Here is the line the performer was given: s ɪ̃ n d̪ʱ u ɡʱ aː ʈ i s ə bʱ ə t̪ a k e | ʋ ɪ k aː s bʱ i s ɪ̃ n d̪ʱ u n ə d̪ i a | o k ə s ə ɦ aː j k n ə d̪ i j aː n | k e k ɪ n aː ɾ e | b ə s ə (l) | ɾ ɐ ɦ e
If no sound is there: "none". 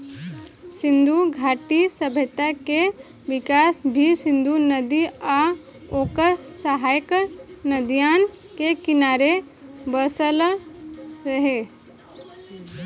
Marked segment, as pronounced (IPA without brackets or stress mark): l